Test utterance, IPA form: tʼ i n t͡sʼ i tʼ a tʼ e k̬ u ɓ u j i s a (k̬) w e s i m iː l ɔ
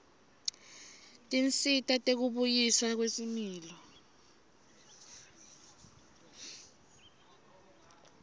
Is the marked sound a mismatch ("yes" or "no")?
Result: no